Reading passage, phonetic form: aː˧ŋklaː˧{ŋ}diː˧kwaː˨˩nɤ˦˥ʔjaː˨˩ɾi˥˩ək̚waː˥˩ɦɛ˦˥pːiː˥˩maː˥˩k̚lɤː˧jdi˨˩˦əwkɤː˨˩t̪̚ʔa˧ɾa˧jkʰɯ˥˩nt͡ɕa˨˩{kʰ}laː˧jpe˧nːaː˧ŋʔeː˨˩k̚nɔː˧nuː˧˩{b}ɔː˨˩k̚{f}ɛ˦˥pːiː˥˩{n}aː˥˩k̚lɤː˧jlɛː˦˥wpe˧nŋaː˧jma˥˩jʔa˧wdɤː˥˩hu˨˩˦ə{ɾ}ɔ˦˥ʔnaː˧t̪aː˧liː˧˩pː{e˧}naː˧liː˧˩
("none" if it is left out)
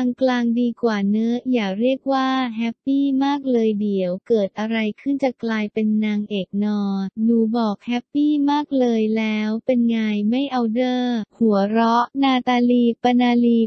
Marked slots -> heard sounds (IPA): ŋ, k, b, h, m, ɾ, a˧

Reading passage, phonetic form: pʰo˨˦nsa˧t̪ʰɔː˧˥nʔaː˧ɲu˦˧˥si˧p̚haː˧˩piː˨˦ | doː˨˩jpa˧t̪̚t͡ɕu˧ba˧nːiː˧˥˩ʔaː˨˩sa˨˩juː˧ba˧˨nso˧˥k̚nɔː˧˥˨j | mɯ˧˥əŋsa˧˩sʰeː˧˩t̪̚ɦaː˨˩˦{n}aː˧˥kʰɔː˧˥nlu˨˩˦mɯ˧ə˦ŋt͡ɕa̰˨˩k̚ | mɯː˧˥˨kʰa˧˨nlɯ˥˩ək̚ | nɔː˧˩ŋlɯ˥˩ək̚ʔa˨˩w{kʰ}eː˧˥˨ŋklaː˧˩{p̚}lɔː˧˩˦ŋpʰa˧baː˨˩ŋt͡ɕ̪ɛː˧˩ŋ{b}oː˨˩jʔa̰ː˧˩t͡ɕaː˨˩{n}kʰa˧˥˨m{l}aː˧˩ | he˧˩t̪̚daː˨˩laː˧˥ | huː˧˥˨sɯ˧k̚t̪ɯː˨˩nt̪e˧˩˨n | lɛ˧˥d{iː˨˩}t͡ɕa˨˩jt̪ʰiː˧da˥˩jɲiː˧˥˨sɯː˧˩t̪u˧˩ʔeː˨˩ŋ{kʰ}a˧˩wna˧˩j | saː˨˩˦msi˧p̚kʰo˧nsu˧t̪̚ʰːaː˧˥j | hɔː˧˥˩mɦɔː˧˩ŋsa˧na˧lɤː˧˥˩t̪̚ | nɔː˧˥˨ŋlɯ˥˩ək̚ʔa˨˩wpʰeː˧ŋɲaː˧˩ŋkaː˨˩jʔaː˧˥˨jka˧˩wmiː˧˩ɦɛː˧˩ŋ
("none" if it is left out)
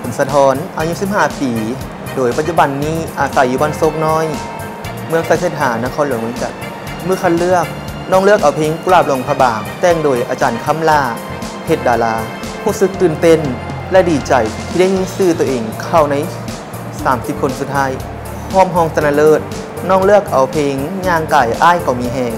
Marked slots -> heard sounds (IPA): n, pʰ, p̚, d, n, l, iː˨˩, kʰ

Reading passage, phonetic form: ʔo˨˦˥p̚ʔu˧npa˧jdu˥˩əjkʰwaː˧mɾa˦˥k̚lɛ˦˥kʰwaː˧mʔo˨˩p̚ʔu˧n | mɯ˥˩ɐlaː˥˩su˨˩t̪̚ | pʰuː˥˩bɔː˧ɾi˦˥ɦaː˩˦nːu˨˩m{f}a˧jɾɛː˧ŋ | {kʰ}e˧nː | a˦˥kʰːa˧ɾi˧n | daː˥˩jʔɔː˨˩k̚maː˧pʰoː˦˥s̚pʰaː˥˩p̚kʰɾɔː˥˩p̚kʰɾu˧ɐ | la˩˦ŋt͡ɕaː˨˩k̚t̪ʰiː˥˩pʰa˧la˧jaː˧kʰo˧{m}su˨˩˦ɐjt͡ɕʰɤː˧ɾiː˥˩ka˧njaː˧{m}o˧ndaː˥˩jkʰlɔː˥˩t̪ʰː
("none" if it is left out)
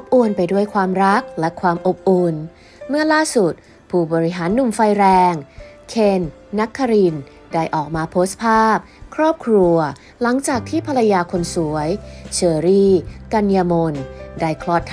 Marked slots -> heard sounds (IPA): f, kʰ, n, m

